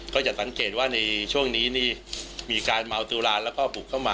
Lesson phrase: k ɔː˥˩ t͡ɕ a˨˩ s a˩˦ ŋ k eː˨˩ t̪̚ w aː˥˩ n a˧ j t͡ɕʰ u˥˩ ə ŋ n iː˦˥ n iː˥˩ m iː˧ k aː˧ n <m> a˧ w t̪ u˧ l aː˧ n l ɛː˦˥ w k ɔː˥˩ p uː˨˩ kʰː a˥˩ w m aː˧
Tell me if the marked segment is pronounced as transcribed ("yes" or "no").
yes